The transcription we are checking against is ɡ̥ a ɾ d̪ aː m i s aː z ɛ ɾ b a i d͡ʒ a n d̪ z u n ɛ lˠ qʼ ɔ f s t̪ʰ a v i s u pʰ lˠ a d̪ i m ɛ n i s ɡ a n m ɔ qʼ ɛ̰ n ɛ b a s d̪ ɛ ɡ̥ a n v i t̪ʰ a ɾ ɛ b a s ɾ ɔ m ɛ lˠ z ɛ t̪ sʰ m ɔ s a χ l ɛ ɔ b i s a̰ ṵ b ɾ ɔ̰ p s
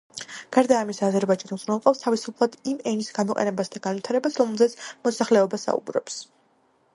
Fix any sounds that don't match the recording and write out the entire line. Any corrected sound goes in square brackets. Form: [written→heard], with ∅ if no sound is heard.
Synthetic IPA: ɡ̥ a ɾ d̪ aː m i s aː z ɛ ɾ b a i d͡ʒ a n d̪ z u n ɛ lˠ qʼ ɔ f s t̪ʰ a v i s u pʰ lˠ a d̪ i m ɛ n i s ɡ a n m ɔ qʼ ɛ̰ n ɛ b a s d̪ [ɛ→a] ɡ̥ a n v i t̪ʰ a ɾ ɛ b a s ɾ ɔ m ɛ lˠ z ɛ t̪ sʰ m ɔ s a χ l ɛ ɔ b [i→a] s a̰ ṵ b ɾ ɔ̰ p s